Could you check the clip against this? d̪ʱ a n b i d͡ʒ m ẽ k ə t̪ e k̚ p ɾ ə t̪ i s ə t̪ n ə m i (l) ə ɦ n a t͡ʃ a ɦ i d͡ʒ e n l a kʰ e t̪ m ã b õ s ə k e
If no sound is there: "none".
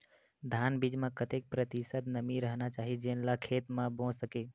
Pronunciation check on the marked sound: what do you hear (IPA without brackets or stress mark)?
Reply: ɾ